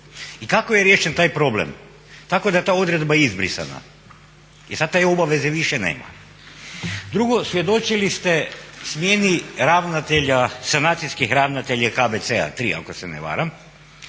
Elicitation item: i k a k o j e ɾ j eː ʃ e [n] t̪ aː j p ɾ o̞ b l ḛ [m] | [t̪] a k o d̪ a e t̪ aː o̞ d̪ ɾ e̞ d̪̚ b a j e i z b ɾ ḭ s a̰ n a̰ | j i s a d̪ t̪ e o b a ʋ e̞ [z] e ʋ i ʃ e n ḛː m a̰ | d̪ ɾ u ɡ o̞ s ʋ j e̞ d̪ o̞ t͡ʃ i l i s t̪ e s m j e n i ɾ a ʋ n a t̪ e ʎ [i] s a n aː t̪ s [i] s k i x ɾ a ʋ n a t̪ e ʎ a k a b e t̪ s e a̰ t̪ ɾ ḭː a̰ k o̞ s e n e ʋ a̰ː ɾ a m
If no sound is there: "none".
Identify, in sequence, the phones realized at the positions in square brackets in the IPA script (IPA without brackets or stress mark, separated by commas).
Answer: n, m, t̪, z, a, i